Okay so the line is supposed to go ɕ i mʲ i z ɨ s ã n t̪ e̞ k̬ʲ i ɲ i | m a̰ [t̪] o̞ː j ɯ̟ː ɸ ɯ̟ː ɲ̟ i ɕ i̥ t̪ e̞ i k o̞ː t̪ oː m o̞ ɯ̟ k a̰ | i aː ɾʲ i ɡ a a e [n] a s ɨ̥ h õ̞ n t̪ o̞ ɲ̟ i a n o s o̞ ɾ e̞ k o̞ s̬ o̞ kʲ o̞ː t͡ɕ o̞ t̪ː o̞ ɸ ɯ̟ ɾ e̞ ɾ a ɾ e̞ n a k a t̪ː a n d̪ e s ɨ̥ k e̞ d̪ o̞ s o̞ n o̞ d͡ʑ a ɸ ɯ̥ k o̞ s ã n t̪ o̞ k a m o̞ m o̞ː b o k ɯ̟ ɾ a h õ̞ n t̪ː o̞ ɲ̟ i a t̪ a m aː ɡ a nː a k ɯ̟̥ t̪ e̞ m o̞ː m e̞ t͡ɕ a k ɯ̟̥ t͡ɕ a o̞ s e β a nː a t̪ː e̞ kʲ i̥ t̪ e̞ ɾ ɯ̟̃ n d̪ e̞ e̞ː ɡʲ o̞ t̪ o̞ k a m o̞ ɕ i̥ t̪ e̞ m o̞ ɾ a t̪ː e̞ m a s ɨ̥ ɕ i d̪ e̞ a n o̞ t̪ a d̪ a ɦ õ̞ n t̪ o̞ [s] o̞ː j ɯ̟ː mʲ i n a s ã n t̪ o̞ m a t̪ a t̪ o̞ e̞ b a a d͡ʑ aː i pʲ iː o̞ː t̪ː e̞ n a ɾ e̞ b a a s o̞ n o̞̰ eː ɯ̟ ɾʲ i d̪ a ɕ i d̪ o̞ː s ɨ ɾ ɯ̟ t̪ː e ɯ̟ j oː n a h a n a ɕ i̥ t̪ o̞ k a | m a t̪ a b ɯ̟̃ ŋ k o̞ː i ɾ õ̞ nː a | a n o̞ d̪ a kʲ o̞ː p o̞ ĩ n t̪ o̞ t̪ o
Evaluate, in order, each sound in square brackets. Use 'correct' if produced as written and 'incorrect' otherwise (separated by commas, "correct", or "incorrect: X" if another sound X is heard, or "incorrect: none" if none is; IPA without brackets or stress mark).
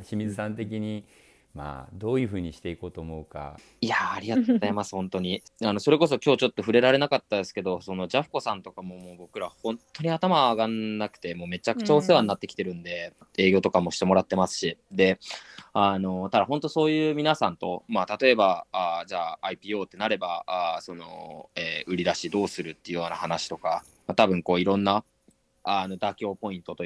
incorrect: d̪, incorrect: m, correct